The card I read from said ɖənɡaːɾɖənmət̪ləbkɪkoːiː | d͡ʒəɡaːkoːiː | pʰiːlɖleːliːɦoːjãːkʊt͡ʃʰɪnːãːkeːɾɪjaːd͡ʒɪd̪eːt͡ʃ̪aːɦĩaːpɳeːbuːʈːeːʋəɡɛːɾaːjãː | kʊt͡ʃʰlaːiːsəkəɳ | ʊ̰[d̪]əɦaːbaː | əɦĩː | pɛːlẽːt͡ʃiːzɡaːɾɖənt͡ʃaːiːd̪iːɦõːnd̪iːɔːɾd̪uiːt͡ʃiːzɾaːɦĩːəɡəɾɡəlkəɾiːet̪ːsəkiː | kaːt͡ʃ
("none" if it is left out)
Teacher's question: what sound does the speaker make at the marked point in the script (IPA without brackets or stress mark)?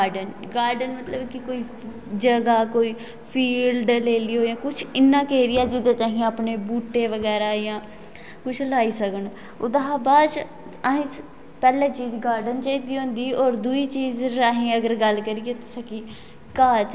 d̪